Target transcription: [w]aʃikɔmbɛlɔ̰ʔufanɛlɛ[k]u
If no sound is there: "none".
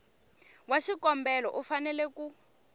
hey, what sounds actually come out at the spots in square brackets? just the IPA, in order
w, k

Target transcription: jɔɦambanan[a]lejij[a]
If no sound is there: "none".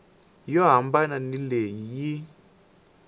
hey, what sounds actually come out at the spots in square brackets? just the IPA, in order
i, i

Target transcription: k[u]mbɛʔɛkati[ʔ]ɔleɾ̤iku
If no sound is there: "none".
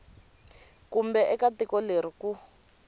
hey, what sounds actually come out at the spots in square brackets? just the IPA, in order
u, k

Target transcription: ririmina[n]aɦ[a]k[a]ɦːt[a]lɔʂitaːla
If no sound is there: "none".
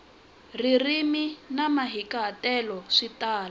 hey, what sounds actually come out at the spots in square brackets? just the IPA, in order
m, i, a, ɛ

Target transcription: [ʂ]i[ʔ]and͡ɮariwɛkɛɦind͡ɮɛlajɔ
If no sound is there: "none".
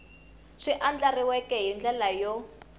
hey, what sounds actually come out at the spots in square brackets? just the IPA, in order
ʂ, ʔ

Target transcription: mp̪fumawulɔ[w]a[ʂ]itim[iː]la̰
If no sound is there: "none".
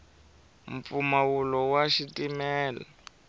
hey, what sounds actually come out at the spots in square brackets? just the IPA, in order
w, ʃ, ɛː

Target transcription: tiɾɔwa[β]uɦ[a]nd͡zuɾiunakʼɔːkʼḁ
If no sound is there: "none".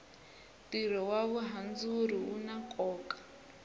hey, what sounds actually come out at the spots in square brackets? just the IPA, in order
β, a

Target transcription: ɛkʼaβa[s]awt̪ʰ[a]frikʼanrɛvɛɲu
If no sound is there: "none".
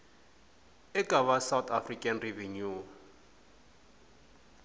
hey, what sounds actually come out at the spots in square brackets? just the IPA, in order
s, a

